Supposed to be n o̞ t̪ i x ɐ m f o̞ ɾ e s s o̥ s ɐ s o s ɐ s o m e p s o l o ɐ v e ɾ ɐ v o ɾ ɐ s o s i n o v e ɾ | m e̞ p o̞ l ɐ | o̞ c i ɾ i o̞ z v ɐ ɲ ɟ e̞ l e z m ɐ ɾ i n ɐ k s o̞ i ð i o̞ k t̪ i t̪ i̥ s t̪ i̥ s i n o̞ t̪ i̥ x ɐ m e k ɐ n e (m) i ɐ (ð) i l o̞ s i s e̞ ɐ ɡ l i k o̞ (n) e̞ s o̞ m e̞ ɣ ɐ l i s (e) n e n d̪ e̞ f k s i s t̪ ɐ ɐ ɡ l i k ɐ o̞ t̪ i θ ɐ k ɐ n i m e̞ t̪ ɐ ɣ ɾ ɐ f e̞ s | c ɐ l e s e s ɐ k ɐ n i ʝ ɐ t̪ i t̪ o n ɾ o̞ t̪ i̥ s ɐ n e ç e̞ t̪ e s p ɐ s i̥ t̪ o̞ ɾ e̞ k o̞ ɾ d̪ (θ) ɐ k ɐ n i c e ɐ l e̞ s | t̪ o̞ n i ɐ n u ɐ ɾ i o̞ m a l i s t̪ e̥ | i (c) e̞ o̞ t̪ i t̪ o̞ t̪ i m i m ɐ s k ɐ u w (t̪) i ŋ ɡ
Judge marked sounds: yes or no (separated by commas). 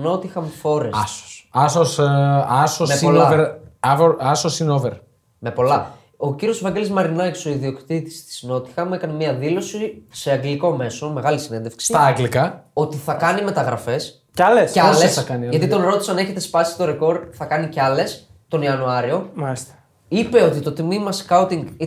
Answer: yes, yes, no, no, yes, no, yes